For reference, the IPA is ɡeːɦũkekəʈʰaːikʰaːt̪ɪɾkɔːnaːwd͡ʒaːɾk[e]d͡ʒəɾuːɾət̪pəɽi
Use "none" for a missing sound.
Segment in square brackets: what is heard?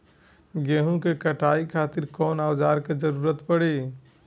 e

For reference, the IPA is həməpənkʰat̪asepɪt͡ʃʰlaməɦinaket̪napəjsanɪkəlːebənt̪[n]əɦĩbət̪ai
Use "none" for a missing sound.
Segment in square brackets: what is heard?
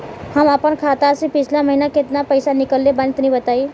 n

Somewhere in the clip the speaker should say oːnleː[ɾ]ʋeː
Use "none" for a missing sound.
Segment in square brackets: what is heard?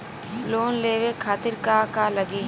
none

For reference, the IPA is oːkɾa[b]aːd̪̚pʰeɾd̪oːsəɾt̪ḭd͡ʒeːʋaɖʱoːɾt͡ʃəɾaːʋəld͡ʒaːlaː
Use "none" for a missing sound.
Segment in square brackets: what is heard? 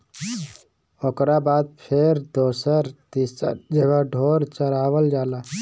b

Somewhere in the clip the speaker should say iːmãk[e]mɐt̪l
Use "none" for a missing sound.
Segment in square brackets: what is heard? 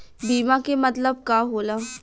e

